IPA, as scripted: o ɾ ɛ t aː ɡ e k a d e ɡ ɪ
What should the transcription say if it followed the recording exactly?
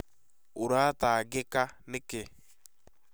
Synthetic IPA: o ɾ a t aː ɡ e k a n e k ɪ